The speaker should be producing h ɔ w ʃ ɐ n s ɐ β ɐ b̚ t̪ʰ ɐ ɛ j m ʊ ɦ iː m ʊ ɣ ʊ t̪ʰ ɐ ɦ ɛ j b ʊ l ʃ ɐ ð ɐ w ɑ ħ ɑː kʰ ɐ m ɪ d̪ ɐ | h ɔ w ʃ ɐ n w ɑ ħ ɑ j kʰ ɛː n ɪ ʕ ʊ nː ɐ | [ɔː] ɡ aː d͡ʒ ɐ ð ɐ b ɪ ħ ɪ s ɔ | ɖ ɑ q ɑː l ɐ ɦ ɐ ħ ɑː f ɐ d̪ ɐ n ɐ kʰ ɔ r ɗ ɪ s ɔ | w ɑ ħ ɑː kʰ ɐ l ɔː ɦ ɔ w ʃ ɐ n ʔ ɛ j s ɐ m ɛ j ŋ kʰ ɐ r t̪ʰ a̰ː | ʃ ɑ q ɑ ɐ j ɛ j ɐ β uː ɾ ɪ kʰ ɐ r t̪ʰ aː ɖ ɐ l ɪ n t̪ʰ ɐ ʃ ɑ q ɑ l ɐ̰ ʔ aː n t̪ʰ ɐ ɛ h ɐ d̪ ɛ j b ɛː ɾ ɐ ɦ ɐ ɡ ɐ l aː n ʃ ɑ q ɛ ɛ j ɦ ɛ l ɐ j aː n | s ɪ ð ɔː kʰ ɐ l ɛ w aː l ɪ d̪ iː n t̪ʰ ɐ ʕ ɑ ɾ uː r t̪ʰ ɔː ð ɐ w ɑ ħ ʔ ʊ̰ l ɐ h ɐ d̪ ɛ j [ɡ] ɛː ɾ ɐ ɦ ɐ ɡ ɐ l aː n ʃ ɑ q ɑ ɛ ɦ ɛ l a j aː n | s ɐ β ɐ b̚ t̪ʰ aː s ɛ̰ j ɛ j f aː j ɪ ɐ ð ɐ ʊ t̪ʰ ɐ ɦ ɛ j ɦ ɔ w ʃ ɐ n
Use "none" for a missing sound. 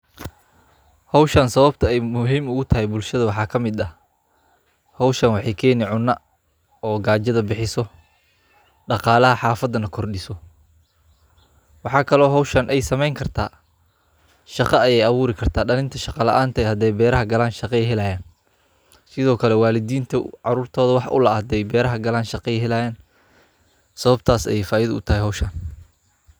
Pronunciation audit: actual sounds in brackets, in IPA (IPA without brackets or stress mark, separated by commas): ɔː, b